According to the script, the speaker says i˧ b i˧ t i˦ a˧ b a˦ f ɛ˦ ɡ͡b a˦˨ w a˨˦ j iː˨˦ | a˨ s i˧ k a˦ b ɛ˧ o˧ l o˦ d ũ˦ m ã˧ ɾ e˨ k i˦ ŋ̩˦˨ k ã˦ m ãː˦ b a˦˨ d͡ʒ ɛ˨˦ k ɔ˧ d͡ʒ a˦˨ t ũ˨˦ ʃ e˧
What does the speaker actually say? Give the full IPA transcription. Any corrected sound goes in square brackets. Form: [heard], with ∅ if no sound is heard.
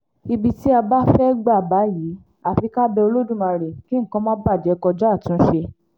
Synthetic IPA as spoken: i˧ b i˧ t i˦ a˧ b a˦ f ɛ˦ ɡ͡b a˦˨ [b] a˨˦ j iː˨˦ | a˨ [f] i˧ k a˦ b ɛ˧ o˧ l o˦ d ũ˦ m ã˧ ɾ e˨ k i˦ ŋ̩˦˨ k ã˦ m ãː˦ b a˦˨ d͡ʒ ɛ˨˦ k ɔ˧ d͡ʒ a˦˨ t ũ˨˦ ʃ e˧